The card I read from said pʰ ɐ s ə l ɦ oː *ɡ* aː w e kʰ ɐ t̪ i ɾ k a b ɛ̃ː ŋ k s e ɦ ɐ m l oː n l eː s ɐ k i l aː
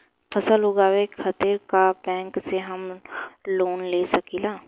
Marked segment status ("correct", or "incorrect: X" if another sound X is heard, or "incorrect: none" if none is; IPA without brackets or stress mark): correct